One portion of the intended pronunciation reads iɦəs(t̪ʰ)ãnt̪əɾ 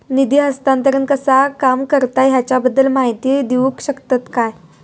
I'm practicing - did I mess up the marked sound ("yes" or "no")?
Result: yes